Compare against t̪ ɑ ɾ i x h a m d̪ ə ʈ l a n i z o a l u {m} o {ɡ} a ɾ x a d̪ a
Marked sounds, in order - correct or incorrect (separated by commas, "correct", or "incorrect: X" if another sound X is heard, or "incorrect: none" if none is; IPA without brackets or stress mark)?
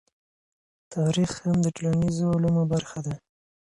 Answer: correct, incorrect: b